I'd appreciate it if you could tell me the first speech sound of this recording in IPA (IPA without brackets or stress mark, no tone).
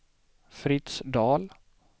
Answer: f